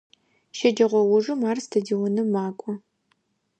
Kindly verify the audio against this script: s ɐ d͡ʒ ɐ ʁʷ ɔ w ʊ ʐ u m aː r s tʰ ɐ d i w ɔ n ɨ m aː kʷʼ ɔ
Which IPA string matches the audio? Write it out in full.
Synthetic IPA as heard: ʃ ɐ d͡ʒ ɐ ʁʷ ɔ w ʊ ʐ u m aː r s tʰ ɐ d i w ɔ n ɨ m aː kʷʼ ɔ